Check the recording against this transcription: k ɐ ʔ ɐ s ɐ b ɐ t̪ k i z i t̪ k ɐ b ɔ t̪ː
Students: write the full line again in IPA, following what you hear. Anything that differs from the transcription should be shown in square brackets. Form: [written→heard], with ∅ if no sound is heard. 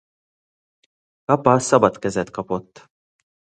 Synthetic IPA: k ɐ [ʔ→p] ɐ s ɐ b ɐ t̪ k [i→ɛ] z [i→ɛ] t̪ k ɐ [b→p] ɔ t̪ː

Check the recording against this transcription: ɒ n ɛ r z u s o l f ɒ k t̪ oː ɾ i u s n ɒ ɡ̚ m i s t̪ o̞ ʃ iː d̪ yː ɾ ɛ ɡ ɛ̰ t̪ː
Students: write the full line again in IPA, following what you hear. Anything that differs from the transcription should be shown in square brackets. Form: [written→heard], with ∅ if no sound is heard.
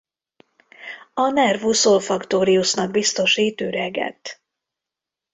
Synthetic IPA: ɒ n ɛ r [z→v] u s o l f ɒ k t̪ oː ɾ i u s n ɒ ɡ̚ [m→b] i s t̪ o̞ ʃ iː [d̪→t̪] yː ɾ ɛ ɡ ɛ̰ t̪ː

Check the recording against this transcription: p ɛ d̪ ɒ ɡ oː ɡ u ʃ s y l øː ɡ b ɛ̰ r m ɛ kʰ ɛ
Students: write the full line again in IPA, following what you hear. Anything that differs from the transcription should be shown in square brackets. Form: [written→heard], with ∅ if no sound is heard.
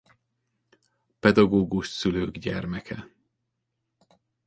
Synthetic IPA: p ɛ d̪ ɒ ɡ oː ɡ u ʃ s y l øː ɡ [b→ɟ] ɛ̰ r m ɛ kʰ ɛ

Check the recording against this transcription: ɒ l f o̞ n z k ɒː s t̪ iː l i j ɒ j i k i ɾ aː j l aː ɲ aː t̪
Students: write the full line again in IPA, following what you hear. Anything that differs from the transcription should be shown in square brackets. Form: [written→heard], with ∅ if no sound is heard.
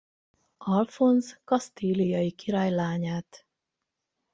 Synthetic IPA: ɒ l f o̞ n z k [ɒː→ɒ] s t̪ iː l i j ɒ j i k i ɾ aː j l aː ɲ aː t̪

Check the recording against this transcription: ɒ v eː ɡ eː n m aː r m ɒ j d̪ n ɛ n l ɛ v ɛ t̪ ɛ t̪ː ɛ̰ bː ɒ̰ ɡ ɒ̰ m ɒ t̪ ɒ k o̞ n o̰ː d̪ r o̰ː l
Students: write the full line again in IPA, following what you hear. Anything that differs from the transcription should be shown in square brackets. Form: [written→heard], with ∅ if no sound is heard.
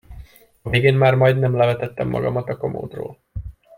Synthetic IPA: ɒ v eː ɡ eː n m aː r m ɒ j d̪ n ɛ [n→m] l ɛ v ɛ t̪ ɛ t̪ː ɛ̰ [bː→mː] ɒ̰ ɡ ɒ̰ m ɒ t̪ ɒ k o̞ [n→m] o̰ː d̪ r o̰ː l

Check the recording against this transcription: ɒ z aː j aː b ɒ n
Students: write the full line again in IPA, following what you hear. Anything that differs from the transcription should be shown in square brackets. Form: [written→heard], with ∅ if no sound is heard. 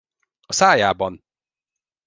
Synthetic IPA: ɒ [z→s] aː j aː b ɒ n

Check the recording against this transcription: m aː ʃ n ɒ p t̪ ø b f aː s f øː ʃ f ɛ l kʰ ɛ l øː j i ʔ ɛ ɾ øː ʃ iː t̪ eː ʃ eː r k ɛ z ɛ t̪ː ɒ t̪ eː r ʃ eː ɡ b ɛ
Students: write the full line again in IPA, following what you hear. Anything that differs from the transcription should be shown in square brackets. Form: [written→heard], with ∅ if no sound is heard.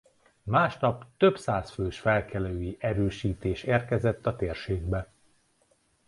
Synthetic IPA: m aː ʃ n ɒ p t̪ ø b [f→s] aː s f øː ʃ f ɛ l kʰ ɛ l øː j i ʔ ɛ ɾ øː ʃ iː t̪ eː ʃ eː r k ɛ z ɛ t̪ː ɒ t̪ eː r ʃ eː ɡ b ɛ

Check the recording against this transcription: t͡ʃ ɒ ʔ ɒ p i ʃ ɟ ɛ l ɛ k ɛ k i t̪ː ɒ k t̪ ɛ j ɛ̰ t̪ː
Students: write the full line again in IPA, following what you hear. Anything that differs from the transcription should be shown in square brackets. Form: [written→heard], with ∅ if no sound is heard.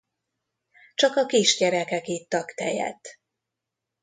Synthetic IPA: t͡ʃ ɒ [ʔ→k] ɒ [p→k] i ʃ ɟ ɛ [l→ɾ] ɛ k ɛ k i t̪ː ɒ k t̪ ɛ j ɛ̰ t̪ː

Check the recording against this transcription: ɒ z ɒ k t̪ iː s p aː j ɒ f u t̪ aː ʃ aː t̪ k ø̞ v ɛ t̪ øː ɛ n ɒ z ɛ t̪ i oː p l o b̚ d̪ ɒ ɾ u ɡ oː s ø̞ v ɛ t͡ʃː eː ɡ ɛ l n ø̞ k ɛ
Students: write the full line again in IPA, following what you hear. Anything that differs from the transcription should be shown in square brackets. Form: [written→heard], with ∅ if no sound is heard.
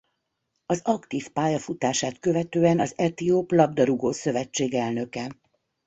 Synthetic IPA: ɒ z ɒ k t̪ iː [s→f] p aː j ɒ f u t̪ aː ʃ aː t̪ k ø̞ v ɛ t̪ øː ɛ n ɒ z ɛ t̪ i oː p l [o→ɒ] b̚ d̪ ɒ ɾ u ɡ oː s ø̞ v ɛ t͡ʃː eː ɡ ɛ l n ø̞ k ɛ

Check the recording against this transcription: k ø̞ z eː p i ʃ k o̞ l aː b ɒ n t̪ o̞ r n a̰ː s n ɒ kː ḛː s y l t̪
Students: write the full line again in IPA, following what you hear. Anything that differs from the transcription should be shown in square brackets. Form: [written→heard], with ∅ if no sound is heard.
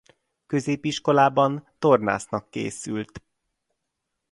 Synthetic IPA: k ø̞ z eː p i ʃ k o̞ l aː b ɒ n t̪ o̞ r n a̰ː s n ɒ kː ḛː s y l t̪

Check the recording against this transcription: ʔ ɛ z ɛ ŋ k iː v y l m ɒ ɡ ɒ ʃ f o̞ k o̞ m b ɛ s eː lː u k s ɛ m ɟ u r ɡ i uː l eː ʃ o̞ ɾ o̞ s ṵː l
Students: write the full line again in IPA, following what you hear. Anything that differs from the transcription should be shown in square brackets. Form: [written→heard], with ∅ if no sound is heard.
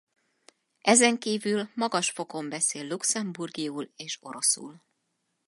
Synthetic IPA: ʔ ɛ z ɛ ŋ k iː v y l m ɒ ɡ ɒ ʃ f o̞ k o̞ m b ɛ s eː lː u k s ɛ m [ɟ→b] u r ɡ i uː l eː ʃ o̞ ɾ o̞ s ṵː l

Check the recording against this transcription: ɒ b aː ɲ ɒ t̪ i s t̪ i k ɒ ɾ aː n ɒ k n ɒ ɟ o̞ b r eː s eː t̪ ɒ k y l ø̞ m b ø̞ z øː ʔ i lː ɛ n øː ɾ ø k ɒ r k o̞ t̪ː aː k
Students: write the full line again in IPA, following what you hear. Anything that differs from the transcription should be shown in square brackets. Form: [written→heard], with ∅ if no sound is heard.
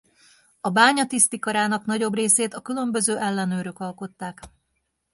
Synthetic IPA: ɒ b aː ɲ ɒ t̪ i s t̪ i k ɒ ɾ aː n ɒ k n ɒ ɟ o̞ b r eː s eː t̪ ɒ k y l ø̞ m b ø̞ z øː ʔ [i→ɛ] lː ɛ n øː ɾ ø k ɒ [r→l] k o̞ t̪ː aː k

